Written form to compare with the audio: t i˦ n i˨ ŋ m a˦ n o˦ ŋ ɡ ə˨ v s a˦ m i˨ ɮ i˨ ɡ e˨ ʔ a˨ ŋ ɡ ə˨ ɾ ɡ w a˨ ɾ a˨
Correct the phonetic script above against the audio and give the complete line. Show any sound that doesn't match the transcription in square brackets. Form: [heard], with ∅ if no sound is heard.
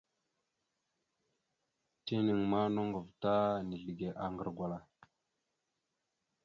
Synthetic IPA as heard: t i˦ n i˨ ŋ m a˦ n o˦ ŋ ɡ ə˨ v [t] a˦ [n] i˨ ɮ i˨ ɡ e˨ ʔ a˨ ŋ ɡ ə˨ ɾ ɡ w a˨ [l] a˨